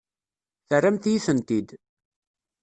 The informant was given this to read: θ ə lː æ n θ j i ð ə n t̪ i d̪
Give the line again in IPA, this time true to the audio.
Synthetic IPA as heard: θ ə rː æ m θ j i θ ə n t̪ i d̪